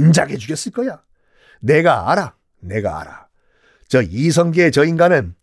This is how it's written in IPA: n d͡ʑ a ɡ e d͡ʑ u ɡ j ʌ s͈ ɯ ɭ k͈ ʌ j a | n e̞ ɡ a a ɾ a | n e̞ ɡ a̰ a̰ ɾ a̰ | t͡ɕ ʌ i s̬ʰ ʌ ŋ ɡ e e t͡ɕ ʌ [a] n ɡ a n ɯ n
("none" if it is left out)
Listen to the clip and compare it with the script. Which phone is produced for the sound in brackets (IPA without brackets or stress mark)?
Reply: i